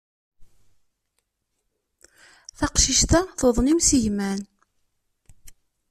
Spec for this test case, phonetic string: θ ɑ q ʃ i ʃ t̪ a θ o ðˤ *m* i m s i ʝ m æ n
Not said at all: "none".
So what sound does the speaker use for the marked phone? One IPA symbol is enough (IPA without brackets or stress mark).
n